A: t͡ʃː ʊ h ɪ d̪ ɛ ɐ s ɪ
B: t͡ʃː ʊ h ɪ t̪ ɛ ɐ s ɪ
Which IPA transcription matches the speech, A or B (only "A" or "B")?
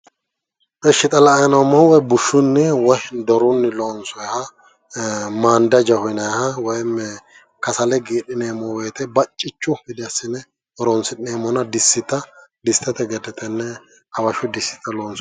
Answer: A